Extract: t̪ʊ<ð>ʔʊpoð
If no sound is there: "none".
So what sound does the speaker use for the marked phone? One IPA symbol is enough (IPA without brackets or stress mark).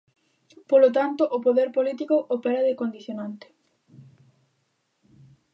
none